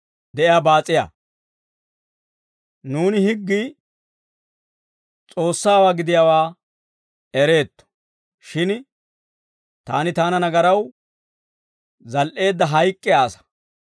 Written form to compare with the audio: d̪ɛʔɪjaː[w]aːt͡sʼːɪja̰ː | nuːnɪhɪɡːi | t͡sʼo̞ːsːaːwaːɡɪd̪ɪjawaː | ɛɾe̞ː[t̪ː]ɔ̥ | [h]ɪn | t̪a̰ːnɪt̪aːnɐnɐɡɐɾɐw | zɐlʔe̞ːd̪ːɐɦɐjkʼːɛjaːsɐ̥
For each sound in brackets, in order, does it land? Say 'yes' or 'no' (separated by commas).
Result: no, yes, no